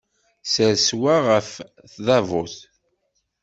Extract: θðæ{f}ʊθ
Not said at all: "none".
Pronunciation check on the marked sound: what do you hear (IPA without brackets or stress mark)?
v